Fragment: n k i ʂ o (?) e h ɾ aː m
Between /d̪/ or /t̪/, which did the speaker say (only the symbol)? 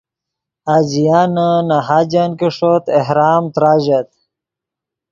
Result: t̪